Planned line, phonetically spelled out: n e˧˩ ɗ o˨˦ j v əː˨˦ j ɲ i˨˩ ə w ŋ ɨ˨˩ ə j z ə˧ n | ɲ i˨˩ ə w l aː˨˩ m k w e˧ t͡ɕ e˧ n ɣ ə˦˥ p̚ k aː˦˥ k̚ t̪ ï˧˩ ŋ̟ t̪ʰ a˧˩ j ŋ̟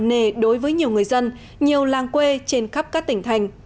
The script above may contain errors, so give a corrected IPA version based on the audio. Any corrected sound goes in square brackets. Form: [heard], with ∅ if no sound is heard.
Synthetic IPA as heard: n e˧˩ ɗ o˨˦ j v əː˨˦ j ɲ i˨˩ ə w ŋ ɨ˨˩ ə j z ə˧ n | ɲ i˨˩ ə w l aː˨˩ [ŋ] k w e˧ t͡ɕ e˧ n [x] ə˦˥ p̚ k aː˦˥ k̚ t̪ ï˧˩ ŋ̟ t̪ʰ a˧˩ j ŋ̟